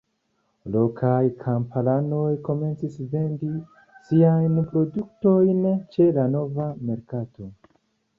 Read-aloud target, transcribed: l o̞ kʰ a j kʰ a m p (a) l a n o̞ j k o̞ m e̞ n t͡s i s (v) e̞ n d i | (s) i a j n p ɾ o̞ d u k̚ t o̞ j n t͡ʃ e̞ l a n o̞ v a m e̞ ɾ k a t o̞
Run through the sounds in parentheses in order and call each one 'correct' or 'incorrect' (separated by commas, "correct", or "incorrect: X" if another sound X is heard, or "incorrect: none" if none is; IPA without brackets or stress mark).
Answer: correct, correct, correct